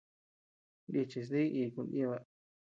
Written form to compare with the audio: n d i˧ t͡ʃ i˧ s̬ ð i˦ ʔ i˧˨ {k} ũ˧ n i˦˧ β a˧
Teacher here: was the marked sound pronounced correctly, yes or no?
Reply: yes